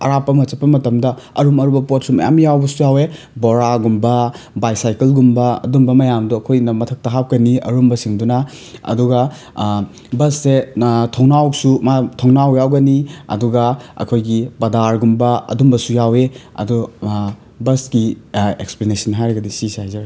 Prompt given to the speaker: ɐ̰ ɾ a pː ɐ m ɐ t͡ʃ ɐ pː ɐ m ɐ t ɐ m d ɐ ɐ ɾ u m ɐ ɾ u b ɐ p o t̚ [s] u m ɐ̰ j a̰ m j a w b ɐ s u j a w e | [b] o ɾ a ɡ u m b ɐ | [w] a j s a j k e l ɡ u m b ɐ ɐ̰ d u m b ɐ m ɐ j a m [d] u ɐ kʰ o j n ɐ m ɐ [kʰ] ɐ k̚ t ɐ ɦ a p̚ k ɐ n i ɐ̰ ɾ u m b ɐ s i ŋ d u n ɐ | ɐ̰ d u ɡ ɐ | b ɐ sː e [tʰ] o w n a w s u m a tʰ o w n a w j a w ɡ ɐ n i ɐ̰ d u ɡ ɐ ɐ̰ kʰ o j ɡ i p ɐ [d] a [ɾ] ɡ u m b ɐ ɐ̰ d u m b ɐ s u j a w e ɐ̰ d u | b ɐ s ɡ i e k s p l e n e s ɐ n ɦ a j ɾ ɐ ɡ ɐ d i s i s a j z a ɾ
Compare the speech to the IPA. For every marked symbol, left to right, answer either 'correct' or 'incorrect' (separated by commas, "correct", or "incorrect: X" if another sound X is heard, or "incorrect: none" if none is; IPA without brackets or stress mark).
correct, correct, incorrect: b, correct, incorrect: tʰ, correct, correct, correct